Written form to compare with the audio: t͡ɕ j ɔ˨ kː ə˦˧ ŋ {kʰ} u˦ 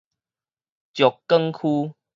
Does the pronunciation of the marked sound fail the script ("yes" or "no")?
no